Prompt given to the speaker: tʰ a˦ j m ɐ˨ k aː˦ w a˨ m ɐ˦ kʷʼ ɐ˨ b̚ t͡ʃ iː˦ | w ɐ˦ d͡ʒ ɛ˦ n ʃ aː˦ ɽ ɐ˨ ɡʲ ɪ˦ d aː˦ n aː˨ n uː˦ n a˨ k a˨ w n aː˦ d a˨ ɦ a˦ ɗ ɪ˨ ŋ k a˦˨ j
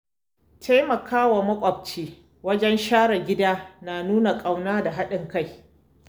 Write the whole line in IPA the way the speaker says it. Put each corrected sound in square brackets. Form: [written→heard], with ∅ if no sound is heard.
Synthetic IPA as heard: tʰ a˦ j m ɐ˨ k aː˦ w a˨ m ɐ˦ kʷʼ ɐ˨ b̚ t͡ʃ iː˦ | w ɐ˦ d͡ʒ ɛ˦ n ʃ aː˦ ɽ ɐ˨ ɡʲ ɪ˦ d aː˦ n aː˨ n uː˦ n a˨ [k→kʼ] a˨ w n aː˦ d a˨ ɦ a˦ ɗ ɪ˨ ŋ k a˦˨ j